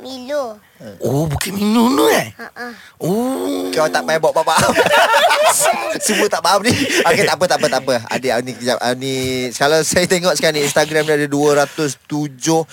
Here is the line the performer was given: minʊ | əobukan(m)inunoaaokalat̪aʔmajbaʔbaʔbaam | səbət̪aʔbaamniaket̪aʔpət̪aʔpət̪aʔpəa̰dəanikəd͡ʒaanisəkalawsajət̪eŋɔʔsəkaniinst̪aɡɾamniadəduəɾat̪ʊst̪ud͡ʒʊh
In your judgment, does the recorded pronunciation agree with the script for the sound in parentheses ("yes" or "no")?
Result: yes